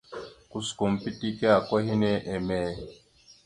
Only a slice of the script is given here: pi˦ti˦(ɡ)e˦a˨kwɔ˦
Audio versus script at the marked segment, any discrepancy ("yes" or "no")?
yes